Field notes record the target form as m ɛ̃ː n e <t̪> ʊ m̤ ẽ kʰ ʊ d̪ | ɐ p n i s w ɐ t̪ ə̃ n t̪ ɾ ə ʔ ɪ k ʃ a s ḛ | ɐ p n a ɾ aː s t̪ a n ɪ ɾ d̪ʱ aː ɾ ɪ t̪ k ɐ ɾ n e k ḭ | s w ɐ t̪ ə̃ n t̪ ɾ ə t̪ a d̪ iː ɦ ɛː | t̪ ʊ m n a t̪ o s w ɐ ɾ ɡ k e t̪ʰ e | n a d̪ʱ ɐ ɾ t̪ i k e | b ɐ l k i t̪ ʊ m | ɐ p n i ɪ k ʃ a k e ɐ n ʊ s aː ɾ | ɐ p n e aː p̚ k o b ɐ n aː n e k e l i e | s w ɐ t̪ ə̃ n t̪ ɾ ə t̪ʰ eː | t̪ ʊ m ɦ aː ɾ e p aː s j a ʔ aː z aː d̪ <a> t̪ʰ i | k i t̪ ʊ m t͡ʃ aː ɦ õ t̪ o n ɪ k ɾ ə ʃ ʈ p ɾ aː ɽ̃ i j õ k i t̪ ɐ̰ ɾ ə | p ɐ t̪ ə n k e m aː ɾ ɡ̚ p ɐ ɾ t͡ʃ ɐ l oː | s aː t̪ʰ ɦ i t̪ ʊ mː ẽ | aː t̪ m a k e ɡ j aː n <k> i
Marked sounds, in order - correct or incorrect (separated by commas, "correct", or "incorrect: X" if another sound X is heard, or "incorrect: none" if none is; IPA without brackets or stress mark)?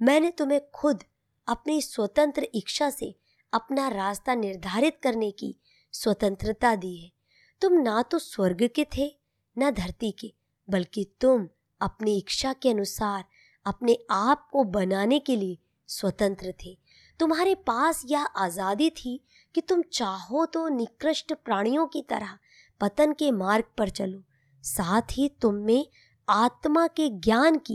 correct, incorrect: i, correct